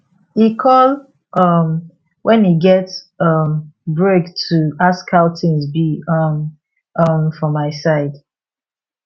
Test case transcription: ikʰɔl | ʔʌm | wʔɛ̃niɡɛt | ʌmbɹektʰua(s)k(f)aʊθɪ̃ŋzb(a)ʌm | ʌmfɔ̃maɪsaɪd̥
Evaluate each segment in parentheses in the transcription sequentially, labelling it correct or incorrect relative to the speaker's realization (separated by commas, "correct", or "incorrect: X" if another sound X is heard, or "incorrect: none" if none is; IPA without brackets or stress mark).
correct, incorrect: h, incorrect: i